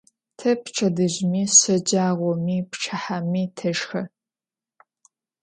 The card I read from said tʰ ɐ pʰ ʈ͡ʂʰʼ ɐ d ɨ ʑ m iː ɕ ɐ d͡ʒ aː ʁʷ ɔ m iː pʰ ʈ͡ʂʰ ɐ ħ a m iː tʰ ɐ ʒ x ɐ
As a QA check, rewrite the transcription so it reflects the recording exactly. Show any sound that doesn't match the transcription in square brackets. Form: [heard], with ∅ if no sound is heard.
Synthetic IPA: tʰ ɐ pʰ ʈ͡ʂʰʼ ɐ d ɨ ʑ m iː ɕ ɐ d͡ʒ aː ʁʷ ɔ m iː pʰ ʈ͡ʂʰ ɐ ħ a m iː tʰ ɐ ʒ x ɐ